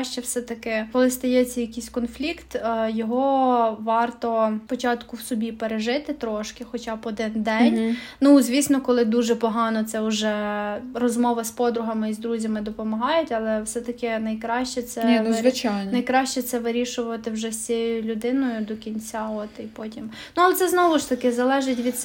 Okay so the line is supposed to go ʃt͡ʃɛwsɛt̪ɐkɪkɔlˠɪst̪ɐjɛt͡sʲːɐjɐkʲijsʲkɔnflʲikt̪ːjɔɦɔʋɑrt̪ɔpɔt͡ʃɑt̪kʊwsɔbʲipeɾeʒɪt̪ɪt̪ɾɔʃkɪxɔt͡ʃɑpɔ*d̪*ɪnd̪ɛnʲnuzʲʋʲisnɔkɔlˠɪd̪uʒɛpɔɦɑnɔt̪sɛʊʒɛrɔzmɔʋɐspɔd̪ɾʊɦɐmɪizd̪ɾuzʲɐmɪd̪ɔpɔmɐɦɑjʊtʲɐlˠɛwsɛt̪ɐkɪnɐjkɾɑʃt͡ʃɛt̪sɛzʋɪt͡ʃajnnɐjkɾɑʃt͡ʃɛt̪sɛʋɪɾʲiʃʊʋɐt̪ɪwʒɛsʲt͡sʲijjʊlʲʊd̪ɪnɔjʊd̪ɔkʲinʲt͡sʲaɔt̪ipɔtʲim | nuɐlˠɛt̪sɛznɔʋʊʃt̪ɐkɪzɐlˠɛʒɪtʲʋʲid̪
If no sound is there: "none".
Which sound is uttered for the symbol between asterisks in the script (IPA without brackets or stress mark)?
d̪